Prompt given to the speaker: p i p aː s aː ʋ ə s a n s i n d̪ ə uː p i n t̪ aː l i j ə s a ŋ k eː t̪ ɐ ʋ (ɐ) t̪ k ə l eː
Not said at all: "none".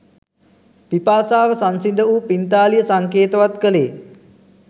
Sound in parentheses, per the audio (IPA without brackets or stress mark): a